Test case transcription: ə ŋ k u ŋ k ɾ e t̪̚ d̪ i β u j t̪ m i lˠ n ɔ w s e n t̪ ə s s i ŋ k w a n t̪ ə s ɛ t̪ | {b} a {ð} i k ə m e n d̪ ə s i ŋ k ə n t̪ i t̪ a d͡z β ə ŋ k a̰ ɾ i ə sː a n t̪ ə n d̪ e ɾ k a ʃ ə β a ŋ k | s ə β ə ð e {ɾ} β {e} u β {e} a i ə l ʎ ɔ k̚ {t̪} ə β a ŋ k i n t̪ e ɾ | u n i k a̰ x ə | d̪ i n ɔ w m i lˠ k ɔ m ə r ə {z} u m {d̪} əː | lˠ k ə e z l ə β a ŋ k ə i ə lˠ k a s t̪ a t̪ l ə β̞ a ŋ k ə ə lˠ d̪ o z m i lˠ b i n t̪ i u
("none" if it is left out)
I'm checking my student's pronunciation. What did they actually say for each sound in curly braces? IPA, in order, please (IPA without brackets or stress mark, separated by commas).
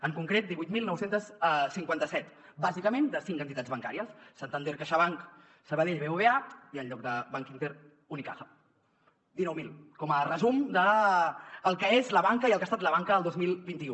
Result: b, z, ʎ, e, e, d̪, z, d̪